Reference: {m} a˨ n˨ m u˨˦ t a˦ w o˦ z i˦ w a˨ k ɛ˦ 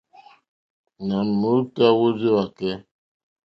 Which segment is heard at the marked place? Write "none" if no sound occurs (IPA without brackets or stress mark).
n